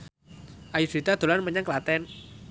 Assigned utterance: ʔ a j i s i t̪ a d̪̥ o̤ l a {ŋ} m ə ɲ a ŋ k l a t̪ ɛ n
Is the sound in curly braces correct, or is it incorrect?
incorrect